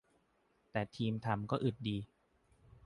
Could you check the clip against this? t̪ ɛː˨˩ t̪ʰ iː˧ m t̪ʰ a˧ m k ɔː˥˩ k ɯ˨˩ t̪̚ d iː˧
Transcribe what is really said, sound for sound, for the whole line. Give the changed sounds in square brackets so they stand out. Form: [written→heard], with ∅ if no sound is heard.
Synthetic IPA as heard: t̪ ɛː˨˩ t̪ʰ iː˧ m t̪ʰ a˧ m k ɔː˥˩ [k→ʔ] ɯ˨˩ t̪̚ d iː˧